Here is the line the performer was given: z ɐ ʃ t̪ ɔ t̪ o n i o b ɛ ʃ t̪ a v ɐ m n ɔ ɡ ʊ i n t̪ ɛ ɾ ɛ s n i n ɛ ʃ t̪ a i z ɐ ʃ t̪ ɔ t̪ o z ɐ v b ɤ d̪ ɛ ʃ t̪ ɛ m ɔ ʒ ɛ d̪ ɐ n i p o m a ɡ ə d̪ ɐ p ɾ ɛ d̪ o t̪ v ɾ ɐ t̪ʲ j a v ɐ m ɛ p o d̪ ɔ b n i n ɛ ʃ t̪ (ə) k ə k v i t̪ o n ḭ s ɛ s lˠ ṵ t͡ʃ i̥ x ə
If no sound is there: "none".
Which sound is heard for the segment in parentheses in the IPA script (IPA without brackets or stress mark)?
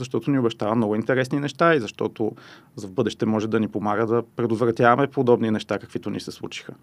a